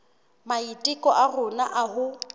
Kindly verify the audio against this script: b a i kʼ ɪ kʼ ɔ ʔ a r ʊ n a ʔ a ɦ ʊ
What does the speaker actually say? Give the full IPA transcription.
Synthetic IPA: m a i tʼ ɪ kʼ ɔ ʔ a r ʊ n a ʔ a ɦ ʊ